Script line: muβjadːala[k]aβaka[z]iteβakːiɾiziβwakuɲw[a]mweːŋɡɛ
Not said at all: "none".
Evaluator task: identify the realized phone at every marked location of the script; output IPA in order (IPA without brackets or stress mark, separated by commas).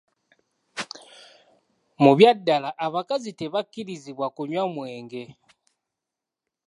ʔ, z, a